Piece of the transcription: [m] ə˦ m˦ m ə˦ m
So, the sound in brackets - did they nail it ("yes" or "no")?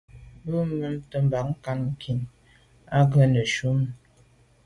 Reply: no